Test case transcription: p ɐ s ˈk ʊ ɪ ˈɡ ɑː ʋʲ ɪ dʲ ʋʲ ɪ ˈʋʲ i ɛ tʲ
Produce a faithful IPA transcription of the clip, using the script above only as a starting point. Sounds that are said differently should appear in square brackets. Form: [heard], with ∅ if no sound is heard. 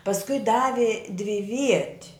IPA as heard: p ɐ s ˈk ʊ ɪ [ˈd] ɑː ʋʲ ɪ dʲ ʋʲ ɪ ˈʋʲ i ɛ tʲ